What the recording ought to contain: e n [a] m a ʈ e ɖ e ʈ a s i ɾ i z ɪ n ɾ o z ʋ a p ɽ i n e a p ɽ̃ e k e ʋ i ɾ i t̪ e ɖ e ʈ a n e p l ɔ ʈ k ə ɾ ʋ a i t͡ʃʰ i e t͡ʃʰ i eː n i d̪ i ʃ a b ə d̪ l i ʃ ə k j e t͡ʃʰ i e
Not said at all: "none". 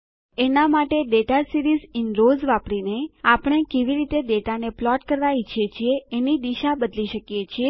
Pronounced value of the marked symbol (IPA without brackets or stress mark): a